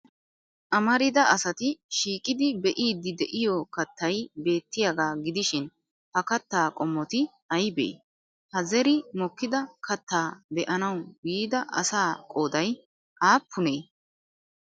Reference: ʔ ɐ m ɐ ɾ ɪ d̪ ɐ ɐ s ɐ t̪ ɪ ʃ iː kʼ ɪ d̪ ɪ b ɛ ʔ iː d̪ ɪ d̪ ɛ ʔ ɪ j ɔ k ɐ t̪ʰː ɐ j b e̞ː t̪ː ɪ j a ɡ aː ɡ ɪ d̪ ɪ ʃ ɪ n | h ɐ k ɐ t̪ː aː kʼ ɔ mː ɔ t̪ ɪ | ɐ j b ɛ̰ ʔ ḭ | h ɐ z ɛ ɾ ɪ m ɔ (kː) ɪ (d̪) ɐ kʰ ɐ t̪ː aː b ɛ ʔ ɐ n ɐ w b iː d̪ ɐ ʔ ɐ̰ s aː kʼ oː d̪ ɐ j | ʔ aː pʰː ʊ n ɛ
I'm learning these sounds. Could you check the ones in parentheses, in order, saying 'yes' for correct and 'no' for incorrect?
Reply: yes, yes

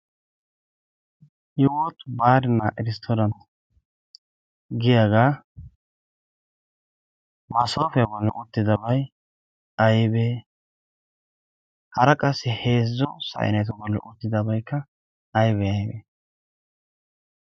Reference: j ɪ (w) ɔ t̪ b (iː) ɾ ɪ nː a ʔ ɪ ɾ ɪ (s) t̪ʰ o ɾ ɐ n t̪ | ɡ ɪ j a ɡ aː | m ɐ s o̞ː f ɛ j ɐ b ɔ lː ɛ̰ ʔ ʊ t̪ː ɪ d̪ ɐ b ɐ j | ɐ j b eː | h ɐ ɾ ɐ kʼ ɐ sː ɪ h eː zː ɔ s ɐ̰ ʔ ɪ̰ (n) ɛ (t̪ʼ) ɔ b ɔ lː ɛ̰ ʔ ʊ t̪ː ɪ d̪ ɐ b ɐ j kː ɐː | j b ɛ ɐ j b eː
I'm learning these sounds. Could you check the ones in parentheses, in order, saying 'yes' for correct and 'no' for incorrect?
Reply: yes, no, yes, yes, no

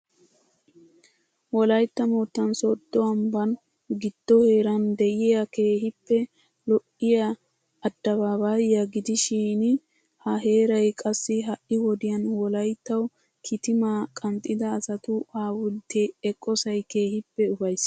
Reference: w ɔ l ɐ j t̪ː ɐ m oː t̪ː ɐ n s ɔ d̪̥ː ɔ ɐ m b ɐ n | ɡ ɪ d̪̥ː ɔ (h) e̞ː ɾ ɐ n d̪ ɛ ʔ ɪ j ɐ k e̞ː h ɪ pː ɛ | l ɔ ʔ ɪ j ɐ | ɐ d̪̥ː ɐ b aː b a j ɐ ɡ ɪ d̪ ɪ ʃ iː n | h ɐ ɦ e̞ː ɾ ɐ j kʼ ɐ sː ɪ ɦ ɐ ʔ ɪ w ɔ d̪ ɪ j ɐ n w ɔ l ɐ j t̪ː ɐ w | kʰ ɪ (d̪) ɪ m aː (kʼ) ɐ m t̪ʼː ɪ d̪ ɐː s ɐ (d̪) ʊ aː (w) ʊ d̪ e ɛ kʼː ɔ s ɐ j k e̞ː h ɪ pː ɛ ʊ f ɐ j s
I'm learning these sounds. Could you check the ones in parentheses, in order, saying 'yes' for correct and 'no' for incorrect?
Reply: yes, no, yes, no, yes

